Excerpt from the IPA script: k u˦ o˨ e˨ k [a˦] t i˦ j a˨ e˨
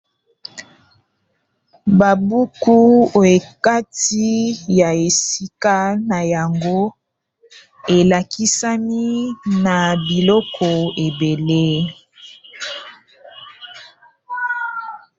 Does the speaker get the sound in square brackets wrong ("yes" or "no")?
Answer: no